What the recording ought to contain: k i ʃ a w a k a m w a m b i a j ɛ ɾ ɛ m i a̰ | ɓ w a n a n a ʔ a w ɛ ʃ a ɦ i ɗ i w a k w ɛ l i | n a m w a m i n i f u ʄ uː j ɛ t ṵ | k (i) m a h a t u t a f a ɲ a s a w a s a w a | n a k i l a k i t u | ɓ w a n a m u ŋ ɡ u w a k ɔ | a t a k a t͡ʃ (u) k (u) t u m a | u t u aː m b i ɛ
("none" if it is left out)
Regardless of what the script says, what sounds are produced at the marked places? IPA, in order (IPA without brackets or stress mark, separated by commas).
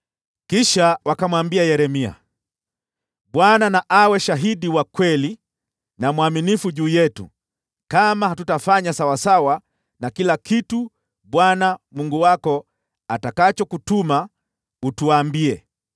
a, ɔ, u